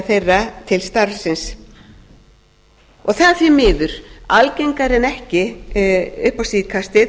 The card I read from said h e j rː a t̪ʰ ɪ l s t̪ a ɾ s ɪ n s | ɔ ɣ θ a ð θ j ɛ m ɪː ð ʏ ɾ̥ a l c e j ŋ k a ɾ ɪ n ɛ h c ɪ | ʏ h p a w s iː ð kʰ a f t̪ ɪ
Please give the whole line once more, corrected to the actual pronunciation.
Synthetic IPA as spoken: θ e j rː a t̪ʰ ɪ l s t̪ a ɾ s ɪ n s | ɔ ɣ θ a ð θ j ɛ m ɪː ð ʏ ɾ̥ a l c e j ŋ k a ɾ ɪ n ɛ h c ɪ | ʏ h p a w s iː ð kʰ a s t̪ ɪ